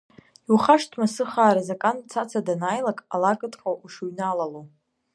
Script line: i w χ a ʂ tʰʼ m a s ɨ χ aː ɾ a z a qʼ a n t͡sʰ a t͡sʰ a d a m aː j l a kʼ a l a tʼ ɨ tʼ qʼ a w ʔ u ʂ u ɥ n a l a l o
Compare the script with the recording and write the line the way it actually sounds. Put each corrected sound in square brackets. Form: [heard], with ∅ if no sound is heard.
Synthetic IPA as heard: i w χ a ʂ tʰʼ m a s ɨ χ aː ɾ a z a [kʼ] a n t͡sʰ a t͡sʰ a d a [n] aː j l a kʼ a l a [kʼ] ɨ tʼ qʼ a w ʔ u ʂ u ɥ n a l a l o